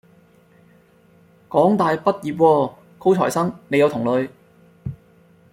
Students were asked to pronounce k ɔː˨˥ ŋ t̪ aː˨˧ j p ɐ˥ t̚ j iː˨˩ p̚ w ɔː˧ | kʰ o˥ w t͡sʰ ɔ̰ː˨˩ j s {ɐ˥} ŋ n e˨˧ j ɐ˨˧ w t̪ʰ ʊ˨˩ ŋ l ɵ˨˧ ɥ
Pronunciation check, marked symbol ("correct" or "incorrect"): correct